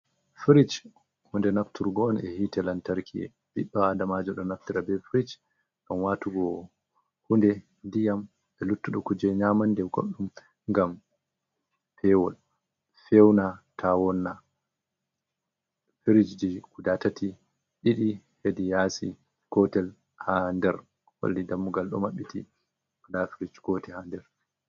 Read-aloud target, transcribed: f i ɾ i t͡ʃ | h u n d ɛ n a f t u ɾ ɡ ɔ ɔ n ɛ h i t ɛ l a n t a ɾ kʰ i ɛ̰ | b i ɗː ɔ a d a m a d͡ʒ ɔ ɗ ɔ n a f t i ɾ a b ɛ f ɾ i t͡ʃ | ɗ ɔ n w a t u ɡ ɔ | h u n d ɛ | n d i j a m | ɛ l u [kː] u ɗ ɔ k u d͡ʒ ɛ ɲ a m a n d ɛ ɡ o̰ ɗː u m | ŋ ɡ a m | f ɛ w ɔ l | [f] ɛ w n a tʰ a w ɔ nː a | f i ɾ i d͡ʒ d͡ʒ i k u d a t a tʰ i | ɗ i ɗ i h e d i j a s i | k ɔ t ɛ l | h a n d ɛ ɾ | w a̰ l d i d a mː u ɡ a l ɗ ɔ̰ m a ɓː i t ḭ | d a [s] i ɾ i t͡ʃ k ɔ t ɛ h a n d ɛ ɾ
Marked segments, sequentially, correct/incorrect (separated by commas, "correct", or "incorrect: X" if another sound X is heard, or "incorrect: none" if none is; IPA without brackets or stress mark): incorrect: tː, correct, incorrect: f